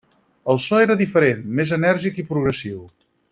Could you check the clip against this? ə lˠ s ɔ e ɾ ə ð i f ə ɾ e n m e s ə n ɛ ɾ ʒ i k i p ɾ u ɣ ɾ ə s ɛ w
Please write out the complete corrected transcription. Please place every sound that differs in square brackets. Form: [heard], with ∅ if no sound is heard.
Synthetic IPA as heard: ə lˠ s ɔ e ɾ ə ð i f ə ɾ e n m e [z] ə n ɛ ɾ ʒ i k i p ɾ u ɣ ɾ ə s [i] w